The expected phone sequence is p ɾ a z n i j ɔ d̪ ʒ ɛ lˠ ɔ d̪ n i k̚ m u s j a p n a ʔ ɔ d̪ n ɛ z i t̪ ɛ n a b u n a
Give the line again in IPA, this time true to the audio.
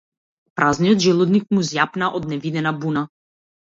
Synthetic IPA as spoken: p ɾ a z n i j ɔ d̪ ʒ ɛ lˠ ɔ d̪ n i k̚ m u z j a p n a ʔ ɔ d̪ n ɛ v i d̪ ɛ n a b u n a